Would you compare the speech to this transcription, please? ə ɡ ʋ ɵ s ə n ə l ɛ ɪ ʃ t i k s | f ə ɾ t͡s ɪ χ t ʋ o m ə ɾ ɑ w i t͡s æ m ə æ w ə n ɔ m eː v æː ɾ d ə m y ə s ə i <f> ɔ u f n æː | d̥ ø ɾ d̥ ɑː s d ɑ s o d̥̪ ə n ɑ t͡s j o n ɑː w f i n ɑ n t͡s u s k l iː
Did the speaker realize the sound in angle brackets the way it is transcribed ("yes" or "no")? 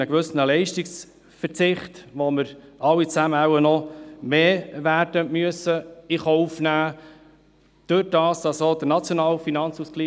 no